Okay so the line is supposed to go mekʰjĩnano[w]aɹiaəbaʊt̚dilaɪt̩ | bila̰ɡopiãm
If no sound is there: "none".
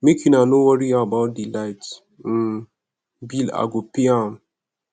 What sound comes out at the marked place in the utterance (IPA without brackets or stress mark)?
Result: w